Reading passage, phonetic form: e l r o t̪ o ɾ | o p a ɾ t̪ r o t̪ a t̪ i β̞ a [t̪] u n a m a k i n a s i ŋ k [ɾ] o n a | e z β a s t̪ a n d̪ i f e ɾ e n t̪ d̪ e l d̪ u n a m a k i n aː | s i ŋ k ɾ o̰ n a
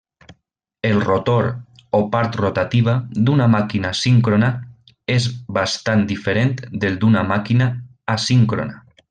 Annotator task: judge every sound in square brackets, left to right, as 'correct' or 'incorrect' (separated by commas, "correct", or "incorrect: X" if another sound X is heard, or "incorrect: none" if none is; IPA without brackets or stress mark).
incorrect: d̪, correct